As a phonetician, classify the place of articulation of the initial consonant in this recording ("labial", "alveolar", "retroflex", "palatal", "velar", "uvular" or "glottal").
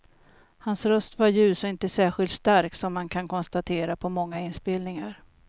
glottal